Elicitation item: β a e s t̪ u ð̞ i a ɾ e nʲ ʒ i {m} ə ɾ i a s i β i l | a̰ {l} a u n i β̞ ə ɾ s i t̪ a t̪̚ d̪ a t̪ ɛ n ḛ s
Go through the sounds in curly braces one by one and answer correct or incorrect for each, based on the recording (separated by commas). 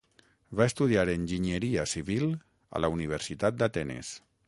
incorrect, correct